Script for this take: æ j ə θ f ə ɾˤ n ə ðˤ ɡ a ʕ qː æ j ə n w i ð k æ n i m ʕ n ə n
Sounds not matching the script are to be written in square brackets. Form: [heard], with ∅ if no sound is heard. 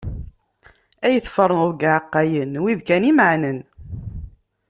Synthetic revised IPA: æ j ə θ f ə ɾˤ n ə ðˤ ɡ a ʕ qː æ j ə n w i ð k æ n i m ʕ n ə n